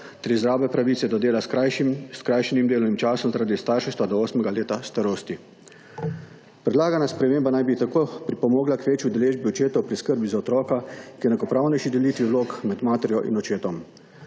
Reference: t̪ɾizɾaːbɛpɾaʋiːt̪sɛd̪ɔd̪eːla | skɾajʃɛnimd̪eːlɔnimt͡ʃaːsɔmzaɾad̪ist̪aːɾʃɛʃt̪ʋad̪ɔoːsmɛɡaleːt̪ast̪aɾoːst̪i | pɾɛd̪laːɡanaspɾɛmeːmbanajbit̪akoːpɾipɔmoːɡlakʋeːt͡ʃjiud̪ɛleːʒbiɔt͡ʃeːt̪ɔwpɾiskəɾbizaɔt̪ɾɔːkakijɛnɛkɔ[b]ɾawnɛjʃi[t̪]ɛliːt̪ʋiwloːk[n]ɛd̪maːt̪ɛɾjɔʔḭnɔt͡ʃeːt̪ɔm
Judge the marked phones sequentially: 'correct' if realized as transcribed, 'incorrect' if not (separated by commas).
incorrect, incorrect, incorrect